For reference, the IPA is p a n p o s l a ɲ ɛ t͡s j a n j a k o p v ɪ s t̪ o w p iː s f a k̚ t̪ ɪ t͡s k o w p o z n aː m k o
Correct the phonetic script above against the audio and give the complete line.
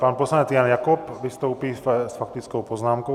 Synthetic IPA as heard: p a n p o s l a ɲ ɛ t͡s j a n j a k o p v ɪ s t̪ o w p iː s f a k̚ t̪ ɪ t͡s k o w p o z n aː m k o